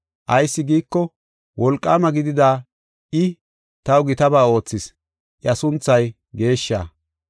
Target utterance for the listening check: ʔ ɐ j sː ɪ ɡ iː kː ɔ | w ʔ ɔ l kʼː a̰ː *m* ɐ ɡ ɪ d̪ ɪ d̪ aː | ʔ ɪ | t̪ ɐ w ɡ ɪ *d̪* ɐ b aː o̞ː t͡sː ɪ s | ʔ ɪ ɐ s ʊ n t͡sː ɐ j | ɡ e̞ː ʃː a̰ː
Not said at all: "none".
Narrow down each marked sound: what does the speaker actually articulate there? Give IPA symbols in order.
m, t̪

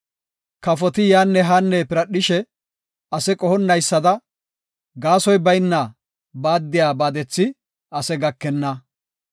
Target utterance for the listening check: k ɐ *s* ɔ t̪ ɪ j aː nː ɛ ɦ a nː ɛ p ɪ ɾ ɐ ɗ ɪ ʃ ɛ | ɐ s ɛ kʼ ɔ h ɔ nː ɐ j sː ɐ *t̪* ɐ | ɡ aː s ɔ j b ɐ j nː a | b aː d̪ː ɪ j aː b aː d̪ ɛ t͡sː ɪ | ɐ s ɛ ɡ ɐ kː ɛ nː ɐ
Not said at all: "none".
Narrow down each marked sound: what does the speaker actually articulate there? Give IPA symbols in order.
f, d̪

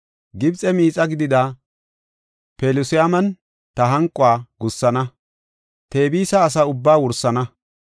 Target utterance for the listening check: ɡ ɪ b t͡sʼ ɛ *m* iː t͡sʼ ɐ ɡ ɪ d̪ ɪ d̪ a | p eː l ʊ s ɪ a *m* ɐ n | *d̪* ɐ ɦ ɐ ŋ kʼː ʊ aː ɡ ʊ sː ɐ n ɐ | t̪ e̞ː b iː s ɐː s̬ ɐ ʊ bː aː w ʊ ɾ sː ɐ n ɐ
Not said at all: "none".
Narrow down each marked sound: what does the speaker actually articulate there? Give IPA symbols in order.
m, m, t̪

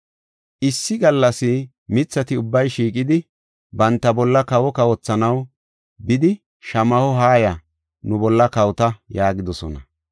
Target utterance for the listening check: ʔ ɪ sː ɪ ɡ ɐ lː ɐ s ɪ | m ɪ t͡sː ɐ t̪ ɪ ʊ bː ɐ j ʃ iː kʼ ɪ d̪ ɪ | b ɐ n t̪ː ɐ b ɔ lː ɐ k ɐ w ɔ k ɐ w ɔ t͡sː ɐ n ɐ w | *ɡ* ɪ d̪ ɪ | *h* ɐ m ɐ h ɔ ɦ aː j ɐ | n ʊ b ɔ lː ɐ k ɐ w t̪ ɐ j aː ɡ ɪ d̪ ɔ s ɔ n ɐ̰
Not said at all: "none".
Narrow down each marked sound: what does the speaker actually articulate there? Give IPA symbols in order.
b, ʃ

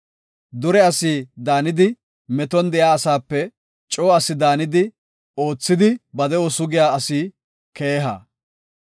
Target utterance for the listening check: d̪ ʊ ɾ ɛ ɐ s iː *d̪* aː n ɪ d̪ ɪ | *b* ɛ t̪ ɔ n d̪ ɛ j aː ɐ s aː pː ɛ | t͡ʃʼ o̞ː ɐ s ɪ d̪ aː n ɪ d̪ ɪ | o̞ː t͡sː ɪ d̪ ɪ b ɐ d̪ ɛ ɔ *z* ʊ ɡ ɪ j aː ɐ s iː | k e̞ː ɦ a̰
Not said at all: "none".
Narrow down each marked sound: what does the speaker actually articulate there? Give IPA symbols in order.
d̪, m, s

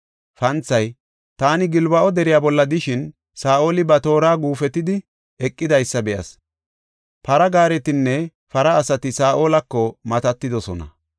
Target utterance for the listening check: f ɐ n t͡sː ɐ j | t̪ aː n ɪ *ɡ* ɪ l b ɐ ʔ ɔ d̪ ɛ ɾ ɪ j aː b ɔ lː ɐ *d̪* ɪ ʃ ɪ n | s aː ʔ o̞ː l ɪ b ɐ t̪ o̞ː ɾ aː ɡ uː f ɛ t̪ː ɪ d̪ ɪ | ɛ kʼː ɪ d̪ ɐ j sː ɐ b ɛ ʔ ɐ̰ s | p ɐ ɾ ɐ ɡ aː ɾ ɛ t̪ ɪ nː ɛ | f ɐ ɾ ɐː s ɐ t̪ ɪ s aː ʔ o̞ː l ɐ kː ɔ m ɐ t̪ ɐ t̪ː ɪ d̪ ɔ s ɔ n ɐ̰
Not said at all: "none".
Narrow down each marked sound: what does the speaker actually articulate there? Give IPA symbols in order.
ɡ, d̪

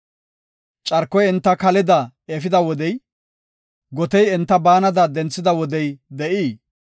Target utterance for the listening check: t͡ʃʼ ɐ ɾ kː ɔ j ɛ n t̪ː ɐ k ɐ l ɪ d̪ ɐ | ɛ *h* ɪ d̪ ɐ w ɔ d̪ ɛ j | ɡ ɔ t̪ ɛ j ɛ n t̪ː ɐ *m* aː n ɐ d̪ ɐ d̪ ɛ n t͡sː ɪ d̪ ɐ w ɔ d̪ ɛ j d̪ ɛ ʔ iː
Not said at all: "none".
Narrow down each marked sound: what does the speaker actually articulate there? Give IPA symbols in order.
f, b

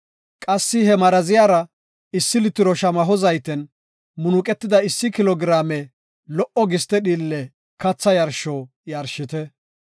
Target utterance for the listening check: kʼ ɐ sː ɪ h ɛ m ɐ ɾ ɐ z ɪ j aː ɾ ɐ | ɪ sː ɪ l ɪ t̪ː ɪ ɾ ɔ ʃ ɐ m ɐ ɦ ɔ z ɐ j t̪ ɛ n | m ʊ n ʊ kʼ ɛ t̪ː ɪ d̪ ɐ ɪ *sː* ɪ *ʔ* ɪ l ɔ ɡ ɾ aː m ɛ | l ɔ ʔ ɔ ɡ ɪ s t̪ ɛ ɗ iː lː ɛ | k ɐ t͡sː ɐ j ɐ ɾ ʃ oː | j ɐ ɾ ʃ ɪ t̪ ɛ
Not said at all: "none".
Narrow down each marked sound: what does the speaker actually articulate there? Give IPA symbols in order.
sː, k

